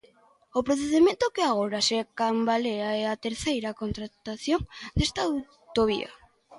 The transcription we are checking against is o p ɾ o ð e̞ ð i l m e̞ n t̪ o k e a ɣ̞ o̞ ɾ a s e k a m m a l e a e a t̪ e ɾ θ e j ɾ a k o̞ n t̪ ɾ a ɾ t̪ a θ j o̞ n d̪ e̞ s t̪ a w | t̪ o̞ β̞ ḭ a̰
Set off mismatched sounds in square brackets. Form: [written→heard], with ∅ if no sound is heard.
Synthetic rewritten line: o p ɾ o [ð→θ] e̞ ð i [l→∅] m e̞ n t̪ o k e a ɣ̞ o̞ ɾ a s e k a m [m→b] a l e a e a t̪ e ɾ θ e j ɾ a k o̞ n t̪ ɾ a [ɾ→∅] t̪ a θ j o̞ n d̪ e̞ s t̪ a w | t̪ o̞ β̞ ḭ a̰